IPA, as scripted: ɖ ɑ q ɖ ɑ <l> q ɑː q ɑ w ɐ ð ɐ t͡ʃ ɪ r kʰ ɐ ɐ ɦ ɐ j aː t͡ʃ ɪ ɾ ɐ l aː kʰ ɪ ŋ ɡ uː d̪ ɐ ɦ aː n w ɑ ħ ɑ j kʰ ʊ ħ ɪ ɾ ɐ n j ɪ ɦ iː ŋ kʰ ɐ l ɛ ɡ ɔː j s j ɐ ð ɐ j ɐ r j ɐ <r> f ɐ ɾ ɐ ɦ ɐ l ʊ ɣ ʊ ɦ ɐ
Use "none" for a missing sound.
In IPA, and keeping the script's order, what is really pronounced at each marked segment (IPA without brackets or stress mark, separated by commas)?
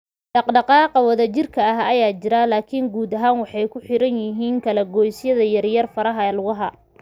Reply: none, r